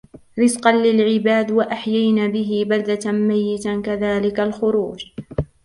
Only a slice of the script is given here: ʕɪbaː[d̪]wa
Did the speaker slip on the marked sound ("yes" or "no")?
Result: no